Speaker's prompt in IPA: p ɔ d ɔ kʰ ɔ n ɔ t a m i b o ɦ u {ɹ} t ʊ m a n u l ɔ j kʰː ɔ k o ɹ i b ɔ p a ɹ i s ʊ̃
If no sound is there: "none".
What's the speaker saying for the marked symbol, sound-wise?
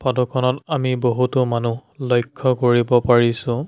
none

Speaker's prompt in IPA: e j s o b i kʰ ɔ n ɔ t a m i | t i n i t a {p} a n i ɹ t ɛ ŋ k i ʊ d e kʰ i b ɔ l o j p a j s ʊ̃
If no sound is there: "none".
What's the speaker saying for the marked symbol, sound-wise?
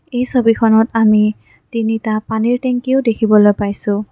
p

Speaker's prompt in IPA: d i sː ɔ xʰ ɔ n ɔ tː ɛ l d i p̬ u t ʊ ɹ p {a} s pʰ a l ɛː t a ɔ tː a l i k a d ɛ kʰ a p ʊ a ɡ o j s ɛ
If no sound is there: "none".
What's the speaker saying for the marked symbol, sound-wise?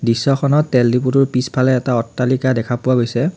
i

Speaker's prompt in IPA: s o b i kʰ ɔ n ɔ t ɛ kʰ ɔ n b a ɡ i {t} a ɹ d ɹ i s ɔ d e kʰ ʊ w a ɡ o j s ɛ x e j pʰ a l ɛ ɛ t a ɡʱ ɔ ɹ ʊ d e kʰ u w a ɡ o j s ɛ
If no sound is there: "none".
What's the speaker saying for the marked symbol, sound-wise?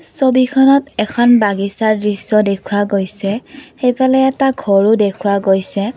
s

